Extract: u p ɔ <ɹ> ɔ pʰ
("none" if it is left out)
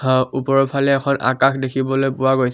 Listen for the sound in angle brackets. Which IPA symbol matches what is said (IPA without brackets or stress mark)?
ɹ